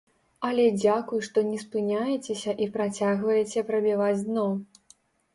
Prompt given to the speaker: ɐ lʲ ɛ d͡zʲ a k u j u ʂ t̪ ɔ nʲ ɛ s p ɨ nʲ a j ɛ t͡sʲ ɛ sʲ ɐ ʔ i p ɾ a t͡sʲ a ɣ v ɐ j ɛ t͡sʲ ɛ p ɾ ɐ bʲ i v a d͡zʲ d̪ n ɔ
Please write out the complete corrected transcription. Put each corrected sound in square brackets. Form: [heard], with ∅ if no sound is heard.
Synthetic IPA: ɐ lʲ ɛ d͡zʲ a k u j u ʂ t̪ ɔ nʲ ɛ s p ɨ nʲ a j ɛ t͡sʲ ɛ sʲ ɐ ʔ i p ɾ a t͡sʲ a ɣ v ɐ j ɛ t͡sʲ ɛ p ɾ ɐ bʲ i v a d͡zʲ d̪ n ɔ